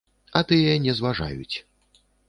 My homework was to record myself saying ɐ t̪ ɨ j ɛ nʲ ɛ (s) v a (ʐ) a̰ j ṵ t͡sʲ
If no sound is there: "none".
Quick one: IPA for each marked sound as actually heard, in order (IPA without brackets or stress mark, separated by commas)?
z, ʐ